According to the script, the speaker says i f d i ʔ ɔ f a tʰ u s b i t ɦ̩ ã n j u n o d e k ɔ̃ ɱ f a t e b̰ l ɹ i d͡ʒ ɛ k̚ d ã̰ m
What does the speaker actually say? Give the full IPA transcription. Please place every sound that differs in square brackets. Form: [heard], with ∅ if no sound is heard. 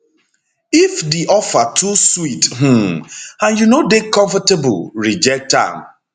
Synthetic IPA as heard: i f d i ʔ ɔ f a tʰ u s [w] i t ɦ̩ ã n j u n o d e k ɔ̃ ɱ f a t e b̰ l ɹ i d͡ʒ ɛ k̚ [t] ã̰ m

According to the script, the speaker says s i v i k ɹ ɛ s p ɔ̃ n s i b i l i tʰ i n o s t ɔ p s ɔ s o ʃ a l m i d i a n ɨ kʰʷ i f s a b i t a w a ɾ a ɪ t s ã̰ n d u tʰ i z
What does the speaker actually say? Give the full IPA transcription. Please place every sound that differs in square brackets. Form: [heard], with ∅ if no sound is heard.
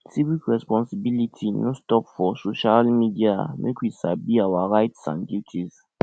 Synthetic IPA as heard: s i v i k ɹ ɛ s p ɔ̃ n s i b i l i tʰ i n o s t ɔ p [f] ɔ s o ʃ a l m i d i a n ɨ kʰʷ i [∅] s a b i [∅] a w a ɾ a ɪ t s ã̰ n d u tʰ i z

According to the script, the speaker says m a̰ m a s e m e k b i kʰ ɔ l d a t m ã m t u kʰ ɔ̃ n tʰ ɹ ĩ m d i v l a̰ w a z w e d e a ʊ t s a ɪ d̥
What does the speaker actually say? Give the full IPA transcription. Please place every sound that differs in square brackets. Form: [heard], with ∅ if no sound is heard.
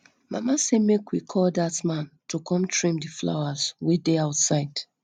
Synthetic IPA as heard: m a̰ m a s e m e k [w] i kʰ ɔ l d a t m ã [n] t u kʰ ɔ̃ [m] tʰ ɹ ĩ m d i [f] l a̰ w a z w e d e a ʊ t s a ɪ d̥

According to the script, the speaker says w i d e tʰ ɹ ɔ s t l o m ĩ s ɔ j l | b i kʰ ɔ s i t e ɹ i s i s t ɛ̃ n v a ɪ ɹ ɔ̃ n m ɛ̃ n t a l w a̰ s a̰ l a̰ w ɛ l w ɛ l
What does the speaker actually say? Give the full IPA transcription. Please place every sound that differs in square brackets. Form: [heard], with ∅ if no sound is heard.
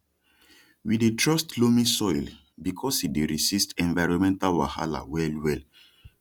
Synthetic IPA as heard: w i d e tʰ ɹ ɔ s t l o m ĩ s ɔ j l | b i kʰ ɔ s i [d] e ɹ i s i s t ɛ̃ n v a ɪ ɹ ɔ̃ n m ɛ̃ n t a l w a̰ [h] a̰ l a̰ w ɛ l w ɛ l

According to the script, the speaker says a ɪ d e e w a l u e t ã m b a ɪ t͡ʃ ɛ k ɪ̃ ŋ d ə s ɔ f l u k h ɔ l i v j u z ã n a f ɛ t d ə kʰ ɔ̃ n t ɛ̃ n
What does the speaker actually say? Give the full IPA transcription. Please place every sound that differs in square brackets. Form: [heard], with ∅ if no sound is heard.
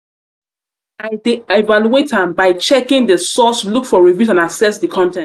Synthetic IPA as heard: a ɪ d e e [v] a l u e t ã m b a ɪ t͡ʃ ɛ k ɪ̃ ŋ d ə s ɔ [s] l u k [f] ɔ [ɹ] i v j u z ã n a [s] ɛ [s] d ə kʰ ɔ̃ n t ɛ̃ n

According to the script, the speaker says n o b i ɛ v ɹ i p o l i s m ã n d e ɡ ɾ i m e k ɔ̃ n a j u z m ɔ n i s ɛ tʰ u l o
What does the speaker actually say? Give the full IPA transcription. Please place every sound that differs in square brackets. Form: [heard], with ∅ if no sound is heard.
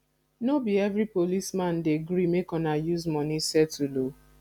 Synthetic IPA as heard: n o b i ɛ v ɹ i p o l i s m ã n d e ɡ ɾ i m e k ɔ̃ n a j u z m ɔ n i s ɛ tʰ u l o

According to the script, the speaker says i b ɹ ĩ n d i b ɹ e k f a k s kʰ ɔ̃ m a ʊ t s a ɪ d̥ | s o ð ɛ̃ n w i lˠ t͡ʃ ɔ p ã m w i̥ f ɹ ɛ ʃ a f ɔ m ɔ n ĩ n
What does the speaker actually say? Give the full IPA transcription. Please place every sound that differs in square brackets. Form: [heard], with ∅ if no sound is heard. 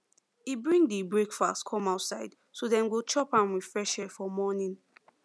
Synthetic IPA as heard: i b ɹ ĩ [ŋ] d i b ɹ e k f a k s kʰ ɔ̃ m a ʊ t s a ɪ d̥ | s o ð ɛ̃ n w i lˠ t͡ʃ ɔ p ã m w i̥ f ɹ ɛ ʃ [ɛ] f ɔ m ɔ n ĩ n

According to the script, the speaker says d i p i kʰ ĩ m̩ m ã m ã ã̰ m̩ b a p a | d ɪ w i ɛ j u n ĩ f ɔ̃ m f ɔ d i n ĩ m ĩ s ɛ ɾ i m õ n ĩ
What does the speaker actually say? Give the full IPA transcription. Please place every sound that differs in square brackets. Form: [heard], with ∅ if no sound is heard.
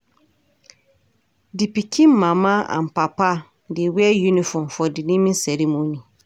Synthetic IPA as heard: d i p i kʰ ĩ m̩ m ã m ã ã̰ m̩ [p] a p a | d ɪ w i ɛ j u n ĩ f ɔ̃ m f ɔ d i n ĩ m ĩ s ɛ ɾ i m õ n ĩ

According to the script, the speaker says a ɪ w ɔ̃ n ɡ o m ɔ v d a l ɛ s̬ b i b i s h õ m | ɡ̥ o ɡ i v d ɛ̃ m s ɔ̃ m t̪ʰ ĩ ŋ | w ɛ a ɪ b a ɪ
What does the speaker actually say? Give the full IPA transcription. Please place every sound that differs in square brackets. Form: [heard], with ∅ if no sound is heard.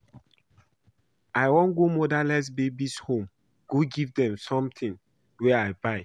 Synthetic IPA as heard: a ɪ w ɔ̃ n ɡ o m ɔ [∅] d a l ɛ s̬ b [e] b i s h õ m | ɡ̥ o ɡ i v d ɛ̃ m s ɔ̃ m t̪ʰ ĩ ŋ | w ɛ a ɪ b a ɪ

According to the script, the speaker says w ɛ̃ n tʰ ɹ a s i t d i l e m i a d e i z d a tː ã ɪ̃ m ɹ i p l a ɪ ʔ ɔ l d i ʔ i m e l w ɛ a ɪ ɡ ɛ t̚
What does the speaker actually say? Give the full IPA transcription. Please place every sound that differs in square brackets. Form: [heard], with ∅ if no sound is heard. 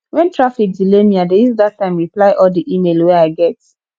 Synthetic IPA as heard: w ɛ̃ n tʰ ɹ a [f] i [k] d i l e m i a d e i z d a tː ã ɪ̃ m ɹ i p l a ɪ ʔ ɔ l d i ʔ i m e l w ɛ a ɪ ɡ ɛ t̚

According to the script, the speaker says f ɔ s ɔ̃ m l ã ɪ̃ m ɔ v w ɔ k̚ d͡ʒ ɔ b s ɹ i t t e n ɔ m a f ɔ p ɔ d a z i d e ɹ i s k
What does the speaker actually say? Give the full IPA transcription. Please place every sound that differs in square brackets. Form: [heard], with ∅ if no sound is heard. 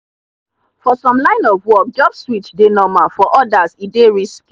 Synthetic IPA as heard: f ɔ s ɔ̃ m l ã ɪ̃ [n] ɔ v w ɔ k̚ d͡ʒ ɔ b s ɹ i t [d] e n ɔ m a f ɔ [ʔ] ɔ d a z i d e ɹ i s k

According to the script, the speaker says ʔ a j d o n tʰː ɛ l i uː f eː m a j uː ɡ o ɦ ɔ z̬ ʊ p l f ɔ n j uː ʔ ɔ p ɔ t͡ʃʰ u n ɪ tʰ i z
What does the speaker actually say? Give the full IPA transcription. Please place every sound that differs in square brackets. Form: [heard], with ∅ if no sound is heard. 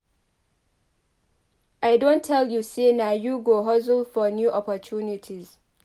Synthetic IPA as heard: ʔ a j d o n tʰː ɛ l [j] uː [s] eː [n] a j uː ɡ o ɦ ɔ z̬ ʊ [∅] l f ɔ n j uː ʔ ɔ p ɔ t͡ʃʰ u n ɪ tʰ i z

